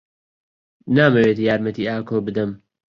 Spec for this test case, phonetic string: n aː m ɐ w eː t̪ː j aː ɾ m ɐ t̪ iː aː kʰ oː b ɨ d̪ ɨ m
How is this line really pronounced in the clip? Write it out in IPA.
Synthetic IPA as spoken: n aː m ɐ w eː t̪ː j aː ɾ m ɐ t̪ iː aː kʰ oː b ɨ d̪ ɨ m